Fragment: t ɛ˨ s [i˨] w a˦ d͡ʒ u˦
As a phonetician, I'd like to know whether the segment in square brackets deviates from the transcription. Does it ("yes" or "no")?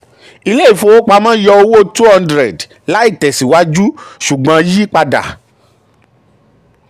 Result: no